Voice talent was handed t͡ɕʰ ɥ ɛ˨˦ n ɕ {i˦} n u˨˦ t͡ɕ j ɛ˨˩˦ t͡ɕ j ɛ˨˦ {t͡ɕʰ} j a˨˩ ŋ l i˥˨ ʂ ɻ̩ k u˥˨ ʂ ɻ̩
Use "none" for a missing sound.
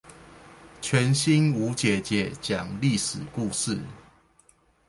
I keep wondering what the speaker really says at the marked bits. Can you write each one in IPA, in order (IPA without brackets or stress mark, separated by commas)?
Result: i˦, t͡ɕ